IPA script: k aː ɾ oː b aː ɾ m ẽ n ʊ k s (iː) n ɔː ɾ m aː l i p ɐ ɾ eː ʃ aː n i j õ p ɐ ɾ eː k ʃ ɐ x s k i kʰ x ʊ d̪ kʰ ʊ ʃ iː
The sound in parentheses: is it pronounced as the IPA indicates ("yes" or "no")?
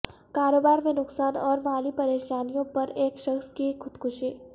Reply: no